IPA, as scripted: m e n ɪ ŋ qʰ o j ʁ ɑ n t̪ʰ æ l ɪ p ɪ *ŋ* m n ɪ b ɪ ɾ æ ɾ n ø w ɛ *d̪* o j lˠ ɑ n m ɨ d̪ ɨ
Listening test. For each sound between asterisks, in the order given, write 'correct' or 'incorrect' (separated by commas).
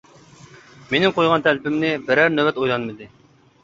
incorrect, incorrect